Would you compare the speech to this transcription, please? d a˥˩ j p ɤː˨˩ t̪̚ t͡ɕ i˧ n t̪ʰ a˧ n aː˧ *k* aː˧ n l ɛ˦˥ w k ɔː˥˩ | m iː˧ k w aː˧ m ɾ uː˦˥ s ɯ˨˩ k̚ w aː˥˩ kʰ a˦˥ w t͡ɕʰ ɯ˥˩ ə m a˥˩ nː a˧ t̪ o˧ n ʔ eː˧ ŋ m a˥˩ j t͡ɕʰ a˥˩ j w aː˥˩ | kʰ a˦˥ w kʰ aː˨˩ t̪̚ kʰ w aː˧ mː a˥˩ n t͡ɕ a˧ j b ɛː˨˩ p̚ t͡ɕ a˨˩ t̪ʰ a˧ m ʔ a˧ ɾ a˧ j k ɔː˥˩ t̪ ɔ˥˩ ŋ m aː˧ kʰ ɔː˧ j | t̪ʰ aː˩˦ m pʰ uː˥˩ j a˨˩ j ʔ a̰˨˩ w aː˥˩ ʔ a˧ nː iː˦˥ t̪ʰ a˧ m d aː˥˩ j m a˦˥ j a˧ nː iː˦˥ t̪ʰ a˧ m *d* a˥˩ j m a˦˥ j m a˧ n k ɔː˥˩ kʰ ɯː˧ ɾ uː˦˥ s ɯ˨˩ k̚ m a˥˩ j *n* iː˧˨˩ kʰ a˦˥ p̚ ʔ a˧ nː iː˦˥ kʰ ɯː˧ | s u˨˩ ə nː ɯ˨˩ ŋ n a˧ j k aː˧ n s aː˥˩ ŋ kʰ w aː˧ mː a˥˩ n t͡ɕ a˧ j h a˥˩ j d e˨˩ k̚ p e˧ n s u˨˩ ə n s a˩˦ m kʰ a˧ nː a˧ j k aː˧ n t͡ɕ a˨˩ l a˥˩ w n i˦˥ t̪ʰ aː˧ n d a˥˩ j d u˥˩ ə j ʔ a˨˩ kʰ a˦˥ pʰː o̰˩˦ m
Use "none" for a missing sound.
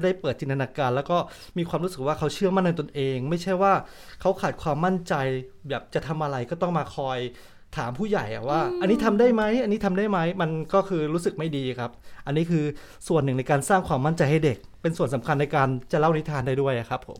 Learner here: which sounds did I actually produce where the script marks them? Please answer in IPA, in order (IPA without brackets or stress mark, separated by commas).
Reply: k, d, d